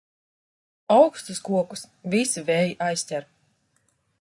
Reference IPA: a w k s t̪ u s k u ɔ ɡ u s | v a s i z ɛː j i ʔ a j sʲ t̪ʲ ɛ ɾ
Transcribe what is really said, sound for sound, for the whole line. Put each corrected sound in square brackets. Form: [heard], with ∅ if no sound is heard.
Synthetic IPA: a w k s t̪ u s k u ɔ [k] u s | v [i] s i [v] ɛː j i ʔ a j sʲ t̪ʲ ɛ ɾ